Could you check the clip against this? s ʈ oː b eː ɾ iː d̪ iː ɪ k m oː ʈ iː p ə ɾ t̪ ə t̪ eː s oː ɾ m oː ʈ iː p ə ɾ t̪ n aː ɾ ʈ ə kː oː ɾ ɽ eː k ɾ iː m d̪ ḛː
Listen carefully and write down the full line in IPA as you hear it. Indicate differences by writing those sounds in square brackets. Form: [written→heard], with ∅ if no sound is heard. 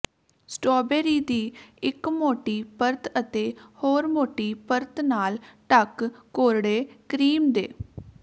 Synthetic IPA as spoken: s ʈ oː b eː ɾ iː d̪ iː ɪ k m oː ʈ iː p ə ɾ t̪ ə t̪ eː [s→h] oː ɾ m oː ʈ iː p ə ɾ t̪ n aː [ɾ→l] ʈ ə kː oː ɾ ɽ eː k ɾ iː m d̪ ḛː